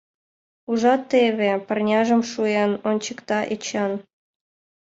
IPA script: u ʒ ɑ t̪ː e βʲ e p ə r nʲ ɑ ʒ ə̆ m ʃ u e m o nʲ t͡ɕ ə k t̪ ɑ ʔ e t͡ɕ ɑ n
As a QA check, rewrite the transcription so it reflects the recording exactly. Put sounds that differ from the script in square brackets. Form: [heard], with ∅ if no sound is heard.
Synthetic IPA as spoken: u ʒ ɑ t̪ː e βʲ e p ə r nʲ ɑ ʒ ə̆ m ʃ u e [n] o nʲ t͡ɕ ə k t̪ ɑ ʔ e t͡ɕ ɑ n